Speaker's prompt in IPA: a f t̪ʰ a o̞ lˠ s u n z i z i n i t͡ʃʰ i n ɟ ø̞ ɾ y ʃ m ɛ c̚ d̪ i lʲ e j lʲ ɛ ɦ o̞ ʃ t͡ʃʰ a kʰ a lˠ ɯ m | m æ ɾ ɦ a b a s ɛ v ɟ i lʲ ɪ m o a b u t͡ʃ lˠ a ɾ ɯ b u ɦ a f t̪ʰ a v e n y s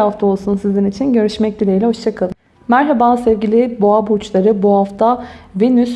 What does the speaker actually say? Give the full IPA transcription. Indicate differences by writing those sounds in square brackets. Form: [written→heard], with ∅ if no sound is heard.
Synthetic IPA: a f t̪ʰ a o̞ lˠ s u n [z→s] i z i n i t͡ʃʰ i n ɟ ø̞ ɾ y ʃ m ɛ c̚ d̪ i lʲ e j lʲ ɛ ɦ o̞ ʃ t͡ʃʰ a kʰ a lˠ ɯ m | m æ ɾ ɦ a b a s ɛ v ɟ i lʲ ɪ [m→b] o a b u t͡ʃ lˠ a ɾ ɯ b u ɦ a f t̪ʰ a v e n y s